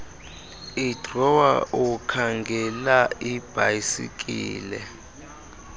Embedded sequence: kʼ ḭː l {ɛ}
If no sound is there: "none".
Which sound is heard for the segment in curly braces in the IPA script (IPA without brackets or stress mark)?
ɛ